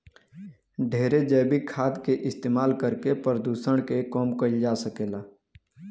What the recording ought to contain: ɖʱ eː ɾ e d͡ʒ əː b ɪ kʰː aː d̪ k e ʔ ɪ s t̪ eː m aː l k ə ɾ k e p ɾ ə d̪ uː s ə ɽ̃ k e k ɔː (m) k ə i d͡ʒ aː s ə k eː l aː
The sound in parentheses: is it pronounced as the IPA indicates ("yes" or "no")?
yes